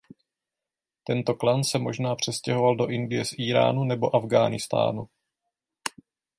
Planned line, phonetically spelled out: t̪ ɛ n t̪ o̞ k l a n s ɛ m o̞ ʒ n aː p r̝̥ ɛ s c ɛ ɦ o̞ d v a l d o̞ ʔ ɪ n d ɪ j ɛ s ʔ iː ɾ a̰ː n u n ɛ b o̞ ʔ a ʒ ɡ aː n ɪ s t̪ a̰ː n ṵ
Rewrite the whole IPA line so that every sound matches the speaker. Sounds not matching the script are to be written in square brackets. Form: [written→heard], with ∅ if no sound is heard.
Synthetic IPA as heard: t̪ ɛ n t̪ o̞ k l a n s ɛ m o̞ ʒ n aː p r̝̥ ɛ s c ɛ ɦ o̞ [d→∅] v a l d o̞ ʔ ɪ n d ɪ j ɛ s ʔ iː ɾ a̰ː n u n ɛ b o̞ ʔ a [ʒ→v] ɡ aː n ɪ s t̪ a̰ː n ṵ